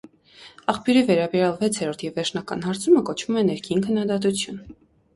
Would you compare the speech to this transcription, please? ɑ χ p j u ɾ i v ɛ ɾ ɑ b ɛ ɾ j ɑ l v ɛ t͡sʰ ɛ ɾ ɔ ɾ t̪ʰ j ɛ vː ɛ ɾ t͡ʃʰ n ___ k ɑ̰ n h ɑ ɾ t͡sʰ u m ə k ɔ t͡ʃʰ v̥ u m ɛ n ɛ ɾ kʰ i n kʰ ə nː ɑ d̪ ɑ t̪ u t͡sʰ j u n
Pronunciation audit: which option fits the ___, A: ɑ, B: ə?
A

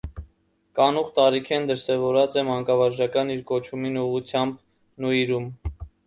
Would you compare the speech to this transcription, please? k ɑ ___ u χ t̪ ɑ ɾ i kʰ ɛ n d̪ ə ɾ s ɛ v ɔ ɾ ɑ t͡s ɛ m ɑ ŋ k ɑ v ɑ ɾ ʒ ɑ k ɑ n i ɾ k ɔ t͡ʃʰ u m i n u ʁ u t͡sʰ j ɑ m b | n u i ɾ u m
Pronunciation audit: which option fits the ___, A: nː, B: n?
B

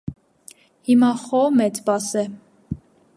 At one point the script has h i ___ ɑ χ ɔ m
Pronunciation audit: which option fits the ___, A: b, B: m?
B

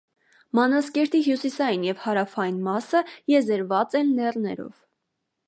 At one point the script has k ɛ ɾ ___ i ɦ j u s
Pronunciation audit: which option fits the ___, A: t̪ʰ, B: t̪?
B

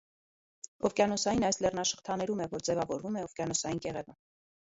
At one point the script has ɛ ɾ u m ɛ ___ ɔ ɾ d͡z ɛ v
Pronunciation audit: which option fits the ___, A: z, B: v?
B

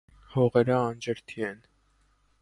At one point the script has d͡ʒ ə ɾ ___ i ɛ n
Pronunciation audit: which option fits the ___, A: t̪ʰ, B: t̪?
A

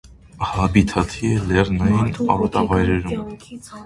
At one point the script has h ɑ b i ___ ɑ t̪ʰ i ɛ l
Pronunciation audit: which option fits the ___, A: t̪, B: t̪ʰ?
B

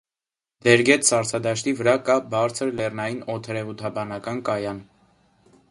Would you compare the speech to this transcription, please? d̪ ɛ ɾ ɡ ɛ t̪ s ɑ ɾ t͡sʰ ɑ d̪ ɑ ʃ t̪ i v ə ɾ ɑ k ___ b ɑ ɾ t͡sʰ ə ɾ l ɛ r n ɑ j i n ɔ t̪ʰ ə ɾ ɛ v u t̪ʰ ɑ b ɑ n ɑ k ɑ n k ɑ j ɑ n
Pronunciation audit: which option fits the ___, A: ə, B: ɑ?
B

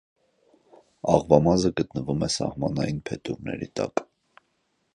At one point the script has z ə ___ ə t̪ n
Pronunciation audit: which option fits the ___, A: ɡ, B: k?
A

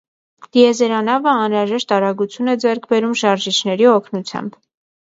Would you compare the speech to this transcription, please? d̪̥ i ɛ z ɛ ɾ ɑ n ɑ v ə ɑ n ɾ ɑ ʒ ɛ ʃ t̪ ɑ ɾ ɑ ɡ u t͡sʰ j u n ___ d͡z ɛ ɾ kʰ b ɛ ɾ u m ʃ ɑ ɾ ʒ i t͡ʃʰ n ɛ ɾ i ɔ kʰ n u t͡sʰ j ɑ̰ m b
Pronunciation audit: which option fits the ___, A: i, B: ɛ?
B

